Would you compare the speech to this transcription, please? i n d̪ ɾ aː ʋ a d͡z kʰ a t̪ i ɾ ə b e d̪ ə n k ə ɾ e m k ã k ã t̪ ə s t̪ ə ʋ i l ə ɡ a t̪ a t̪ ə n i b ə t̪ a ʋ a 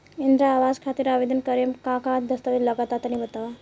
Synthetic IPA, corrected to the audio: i n d̪ ɾ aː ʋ a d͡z kʰ a t̪ i ɾ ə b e d̪ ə n k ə ɾ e m k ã k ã d̪ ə s t̪ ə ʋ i l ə ɡ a t̪ a t̪ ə n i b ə t̪ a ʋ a